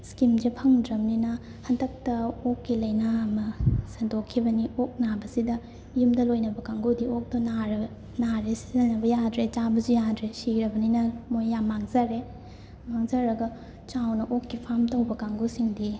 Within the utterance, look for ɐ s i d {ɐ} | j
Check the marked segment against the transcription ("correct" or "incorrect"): correct